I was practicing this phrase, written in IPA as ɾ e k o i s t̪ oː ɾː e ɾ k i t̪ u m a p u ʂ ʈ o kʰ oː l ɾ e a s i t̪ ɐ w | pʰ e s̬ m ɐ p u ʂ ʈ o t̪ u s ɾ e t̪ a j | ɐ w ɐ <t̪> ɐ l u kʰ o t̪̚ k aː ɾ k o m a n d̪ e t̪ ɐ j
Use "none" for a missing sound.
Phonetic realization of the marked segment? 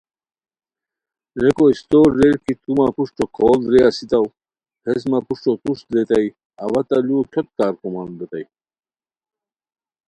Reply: t̪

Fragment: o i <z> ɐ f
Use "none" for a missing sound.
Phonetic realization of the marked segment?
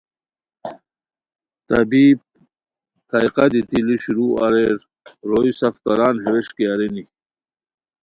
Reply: s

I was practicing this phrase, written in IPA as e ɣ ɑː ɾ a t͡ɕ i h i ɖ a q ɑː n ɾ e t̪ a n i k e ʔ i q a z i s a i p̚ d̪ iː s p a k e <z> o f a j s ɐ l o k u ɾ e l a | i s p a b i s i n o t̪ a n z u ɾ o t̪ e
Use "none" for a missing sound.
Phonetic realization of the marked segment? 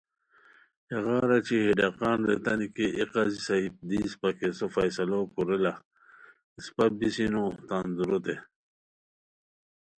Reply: s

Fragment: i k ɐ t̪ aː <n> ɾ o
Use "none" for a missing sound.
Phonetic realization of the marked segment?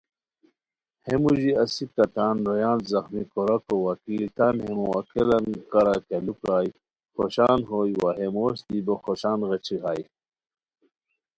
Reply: n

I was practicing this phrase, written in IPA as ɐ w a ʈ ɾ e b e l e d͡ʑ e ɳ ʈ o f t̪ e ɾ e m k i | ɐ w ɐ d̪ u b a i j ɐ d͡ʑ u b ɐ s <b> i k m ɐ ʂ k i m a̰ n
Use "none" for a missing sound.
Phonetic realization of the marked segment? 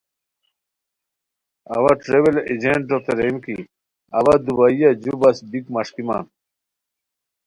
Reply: b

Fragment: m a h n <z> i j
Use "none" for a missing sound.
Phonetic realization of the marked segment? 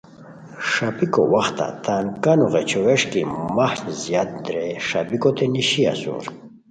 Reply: z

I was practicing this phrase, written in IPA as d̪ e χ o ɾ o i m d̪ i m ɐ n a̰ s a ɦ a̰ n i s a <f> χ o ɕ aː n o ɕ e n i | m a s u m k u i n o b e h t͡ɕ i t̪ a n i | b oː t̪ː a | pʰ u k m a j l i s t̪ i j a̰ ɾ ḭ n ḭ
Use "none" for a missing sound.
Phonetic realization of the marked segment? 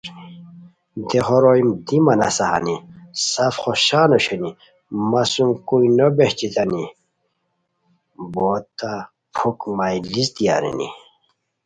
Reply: f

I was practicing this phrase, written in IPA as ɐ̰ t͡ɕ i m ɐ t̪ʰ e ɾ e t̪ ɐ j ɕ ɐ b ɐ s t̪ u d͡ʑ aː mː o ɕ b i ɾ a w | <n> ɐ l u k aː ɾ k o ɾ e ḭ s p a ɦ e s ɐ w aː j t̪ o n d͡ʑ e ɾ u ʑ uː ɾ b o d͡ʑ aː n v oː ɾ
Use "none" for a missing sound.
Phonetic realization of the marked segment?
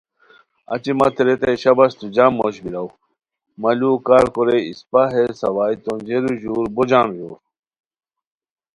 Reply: m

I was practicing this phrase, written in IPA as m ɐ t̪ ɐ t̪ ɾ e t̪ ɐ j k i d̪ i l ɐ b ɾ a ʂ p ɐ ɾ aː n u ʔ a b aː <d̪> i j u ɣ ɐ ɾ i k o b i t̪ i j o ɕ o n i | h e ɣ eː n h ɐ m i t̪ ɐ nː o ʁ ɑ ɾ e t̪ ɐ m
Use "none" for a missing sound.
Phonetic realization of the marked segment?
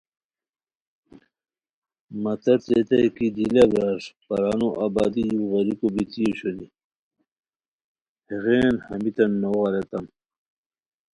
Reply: d̪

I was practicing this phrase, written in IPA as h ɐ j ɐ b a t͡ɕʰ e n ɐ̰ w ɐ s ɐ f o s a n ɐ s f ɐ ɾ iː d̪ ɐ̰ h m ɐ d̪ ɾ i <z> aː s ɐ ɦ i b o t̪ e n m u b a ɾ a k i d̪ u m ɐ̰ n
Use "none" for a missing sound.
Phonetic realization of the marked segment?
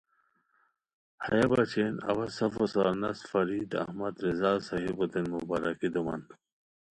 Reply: z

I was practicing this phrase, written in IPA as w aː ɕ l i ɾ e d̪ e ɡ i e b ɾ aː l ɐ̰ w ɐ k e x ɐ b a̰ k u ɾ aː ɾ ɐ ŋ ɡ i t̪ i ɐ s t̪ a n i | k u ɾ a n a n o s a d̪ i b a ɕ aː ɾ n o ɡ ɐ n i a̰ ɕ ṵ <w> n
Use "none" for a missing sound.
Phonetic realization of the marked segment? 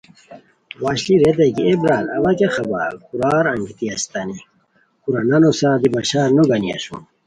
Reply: none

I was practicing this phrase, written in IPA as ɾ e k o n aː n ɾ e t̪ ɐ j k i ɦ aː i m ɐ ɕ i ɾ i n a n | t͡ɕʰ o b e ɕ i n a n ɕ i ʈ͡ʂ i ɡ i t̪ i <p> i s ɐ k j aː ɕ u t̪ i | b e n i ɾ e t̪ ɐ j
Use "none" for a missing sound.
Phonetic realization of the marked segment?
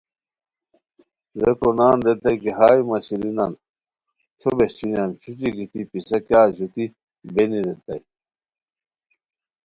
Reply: p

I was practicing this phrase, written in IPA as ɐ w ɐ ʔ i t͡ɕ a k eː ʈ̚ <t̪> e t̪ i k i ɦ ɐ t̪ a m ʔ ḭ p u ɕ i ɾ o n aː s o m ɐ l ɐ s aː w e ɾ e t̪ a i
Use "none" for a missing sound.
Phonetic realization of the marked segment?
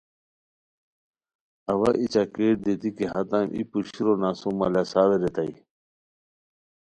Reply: d̪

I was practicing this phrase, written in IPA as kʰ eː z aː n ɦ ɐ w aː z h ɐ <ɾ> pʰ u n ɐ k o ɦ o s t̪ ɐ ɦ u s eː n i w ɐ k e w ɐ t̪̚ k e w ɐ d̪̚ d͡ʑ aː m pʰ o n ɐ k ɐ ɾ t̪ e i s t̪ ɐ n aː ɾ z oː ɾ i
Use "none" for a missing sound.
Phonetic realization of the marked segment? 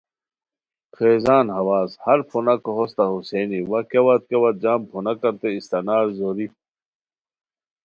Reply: ɾ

